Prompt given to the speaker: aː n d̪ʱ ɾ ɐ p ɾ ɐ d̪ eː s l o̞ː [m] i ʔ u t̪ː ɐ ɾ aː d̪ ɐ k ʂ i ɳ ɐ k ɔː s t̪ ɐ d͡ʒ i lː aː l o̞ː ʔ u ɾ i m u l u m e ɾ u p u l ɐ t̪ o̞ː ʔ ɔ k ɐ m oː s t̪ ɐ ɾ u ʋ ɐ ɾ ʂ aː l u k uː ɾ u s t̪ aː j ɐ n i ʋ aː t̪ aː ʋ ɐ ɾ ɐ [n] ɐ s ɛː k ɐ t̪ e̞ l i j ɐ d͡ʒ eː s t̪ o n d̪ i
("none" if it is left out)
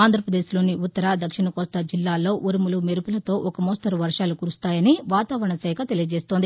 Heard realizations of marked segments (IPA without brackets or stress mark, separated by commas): n, ɳ